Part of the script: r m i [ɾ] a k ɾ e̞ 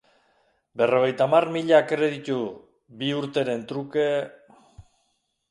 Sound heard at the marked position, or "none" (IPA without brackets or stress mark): ʎ